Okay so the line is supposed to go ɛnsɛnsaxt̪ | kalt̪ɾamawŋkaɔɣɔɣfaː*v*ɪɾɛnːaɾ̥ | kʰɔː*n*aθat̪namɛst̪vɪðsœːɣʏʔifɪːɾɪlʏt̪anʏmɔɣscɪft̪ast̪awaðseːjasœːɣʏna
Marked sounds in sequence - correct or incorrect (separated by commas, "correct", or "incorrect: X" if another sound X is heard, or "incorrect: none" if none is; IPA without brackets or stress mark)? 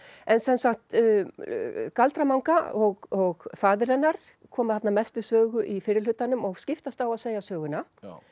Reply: incorrect: ð, incorrect: m